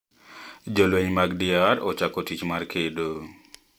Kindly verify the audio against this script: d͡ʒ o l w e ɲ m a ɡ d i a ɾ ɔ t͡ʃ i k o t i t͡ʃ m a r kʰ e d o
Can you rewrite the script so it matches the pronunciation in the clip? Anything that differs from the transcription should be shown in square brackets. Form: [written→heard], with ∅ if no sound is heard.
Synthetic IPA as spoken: d͡ʒ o l w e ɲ m a ɡ d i a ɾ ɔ t͡ʃ [i→a] k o t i t͡ʃ m a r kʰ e d o

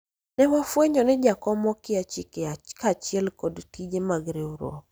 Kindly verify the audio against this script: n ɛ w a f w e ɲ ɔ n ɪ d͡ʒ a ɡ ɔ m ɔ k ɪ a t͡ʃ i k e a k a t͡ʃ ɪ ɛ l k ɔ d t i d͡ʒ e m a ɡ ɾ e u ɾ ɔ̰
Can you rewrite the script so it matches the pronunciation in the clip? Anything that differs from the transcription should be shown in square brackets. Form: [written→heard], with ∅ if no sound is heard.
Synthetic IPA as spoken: n ɛ w a f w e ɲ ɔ n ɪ d͡ʒ a [ɡ→k] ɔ m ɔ k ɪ a t͡ʃ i k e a k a t͡ʃ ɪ ɛ l k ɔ d t i d͡ʒ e m a ɡ ɾ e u ɾ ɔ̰

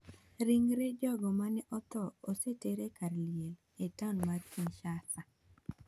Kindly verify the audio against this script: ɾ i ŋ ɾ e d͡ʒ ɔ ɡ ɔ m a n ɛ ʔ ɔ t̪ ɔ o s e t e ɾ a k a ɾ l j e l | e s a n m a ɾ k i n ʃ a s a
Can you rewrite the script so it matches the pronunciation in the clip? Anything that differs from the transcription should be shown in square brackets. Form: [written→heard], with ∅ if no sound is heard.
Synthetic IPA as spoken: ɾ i ŋ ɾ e d͡ʒ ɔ ɡ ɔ m a n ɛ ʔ ɔ t̪ ɔ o s e t e ɾ [a→e] k a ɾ l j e l | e [s→t] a n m a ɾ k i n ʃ a s a

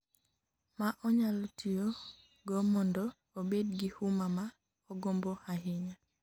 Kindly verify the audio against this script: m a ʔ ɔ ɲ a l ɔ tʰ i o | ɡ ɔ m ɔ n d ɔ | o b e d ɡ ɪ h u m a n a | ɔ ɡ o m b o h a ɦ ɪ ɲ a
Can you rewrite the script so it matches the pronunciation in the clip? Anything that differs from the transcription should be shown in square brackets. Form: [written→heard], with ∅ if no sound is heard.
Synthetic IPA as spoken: m a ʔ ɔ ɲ a l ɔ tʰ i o | ɡ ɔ m ɔ n d ɔ | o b e d ɡ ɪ h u m a [n→m] a | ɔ ɡ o m b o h a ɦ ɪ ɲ a

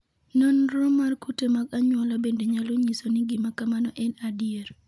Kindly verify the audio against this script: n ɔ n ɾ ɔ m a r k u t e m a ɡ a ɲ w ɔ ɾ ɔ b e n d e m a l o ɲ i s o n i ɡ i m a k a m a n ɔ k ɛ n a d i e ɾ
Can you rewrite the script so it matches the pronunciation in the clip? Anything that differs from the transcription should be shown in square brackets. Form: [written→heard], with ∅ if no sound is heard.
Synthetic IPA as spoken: n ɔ n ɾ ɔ m a r k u t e m a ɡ a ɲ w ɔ [ɾ→l] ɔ b e n d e [m→ɲ] a l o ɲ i s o n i ɡ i m a k a m a n ɔ [k→ʔ] ɛ n a d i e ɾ

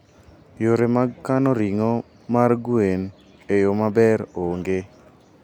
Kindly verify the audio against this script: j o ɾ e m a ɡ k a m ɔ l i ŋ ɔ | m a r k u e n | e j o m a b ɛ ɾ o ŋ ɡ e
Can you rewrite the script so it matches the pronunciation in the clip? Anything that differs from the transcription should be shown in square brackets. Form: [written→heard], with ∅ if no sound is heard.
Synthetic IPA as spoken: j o ɾ e m a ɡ k a [m→n] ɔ [l→ɾ] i ŋ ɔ | m a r [k→ɡ] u e n | e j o m a b ɛ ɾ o ŋ ɡ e

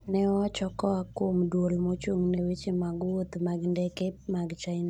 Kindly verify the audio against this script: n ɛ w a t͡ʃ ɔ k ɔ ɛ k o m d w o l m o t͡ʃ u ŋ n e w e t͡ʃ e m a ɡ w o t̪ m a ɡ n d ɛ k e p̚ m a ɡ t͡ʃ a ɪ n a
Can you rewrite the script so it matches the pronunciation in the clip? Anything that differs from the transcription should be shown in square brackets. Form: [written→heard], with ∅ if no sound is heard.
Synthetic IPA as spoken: n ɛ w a t͡ʃ ɔ k ɔ [ɛ→a] k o m d w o l m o t͡ʃ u ŋ n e w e t͡ʃ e m a ɡ w o t̪ m a ɡ n d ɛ k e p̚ m a ɡ t͡ʃ a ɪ n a

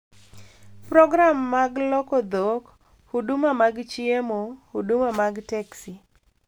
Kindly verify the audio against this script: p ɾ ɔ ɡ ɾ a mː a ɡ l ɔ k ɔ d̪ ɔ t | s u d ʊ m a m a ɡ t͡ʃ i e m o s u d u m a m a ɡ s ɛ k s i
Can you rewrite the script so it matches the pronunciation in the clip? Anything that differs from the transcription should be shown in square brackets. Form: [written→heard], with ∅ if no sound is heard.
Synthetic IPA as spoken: p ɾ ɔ ɡ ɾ a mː a ɡ l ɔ k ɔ d̪ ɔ [t→k] | [s→h] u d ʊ m a m a ɡ t͡ʃ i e m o [s→h] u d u m a m a ɡ [s→t] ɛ k s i

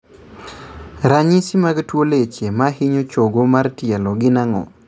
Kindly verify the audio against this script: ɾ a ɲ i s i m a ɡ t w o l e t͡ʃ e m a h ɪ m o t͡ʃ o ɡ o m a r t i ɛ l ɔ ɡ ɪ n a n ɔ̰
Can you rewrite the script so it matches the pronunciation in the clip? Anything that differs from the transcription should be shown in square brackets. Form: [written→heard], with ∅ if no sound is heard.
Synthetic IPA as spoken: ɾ a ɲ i s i m a ɡ t w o l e t͡ʃ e m a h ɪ [m→ɲ] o t͡ʃ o ɡ o m a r t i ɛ l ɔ ɡ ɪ n a [n→ŋ] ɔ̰

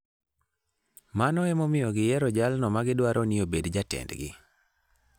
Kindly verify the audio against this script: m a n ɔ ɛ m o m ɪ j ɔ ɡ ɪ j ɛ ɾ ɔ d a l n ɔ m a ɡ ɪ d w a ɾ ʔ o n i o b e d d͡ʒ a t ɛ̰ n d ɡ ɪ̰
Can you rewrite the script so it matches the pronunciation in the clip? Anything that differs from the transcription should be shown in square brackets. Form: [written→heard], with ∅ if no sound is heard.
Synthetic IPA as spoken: m a n ɔ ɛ m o m ɪ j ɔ ɡ ɪ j ɛ ɾ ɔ [d→d͡ʒ] a l n ɔ m a ɡ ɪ d w a ɾ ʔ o n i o b e d d͡ʒ a t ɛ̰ n d ɡ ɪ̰

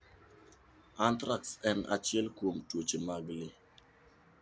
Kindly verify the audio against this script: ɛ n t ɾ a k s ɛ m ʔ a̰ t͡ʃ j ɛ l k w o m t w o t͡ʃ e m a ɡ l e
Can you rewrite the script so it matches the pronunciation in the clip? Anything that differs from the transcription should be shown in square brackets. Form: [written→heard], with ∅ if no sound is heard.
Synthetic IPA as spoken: [ɛ→a] n t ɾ a k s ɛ [m→n] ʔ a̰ t͡ʃ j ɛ l k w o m t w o t͡ʃ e m a ɡ l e

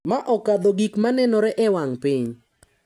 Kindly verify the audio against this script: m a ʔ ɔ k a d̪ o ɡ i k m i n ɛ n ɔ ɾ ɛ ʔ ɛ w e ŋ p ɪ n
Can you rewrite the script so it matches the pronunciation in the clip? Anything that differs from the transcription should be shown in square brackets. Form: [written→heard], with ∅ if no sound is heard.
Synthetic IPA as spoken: m a ʔ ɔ k a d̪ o ɡ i k m [i→a] n ɛ n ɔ ɾ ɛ ʔ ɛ w [e→a] ŋ p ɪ [n→ɲ]

